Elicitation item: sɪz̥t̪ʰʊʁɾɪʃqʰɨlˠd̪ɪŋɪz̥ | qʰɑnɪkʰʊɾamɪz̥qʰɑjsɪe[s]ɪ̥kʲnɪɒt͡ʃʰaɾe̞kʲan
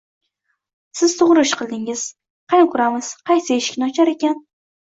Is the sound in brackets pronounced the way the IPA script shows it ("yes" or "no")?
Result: no